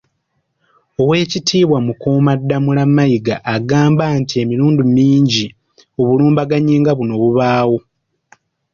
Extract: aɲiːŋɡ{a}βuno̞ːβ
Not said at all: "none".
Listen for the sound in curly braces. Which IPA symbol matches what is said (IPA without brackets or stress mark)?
a